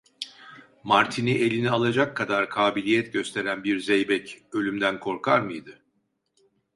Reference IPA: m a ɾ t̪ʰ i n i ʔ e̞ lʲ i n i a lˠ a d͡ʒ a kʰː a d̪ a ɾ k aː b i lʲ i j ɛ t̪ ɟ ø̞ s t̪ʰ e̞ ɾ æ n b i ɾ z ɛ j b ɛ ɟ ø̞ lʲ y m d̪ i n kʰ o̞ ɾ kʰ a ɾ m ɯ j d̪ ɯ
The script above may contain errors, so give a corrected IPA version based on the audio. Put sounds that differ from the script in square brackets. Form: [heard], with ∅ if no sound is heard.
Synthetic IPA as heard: m a ɾ t̪ʰ i n i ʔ e̞ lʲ i n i a lˠ a d͡ʒ a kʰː a d̪ a ɾ [kʰ] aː b i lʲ i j ɛ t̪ ɟ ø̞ s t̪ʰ e̞ ɾ æ n b i ɾ z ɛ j b ɛ [c] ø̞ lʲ y m d̪ [æ] n kʰ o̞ ɾ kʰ a ɾ m ɯ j d̪ ɯ